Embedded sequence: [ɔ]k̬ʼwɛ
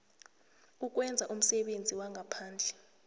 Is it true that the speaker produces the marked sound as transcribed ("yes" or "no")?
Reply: no